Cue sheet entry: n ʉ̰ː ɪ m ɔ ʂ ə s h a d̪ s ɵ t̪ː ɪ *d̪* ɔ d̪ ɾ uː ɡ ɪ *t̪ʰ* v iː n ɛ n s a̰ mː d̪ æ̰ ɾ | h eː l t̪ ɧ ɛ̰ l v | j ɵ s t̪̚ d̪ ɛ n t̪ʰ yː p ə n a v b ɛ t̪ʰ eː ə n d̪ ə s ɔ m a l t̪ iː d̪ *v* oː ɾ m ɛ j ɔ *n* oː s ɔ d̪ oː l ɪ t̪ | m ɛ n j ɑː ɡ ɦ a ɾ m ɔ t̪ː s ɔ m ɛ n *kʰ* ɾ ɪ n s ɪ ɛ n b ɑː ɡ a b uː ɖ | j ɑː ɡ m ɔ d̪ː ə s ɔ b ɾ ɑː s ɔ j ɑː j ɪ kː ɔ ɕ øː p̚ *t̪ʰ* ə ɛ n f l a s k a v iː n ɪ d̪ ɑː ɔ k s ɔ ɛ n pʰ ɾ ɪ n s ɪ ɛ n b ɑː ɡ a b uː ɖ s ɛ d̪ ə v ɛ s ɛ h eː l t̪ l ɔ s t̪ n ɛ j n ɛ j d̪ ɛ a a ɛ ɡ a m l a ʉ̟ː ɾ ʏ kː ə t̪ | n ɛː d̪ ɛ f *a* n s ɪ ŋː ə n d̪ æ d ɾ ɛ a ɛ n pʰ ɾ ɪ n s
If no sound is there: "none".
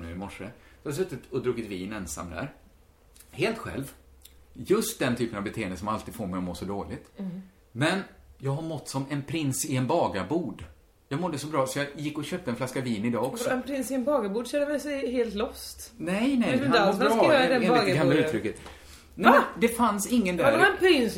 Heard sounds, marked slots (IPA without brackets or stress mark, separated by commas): t̪, t̪, f, m, pʰ, t̪, a